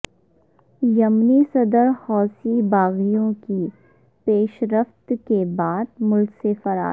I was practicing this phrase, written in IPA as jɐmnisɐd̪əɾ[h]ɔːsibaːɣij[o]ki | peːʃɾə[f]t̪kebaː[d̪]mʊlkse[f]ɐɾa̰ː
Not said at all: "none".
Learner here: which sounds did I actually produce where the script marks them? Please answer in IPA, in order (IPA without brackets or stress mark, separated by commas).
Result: h, õ, f, d̪, f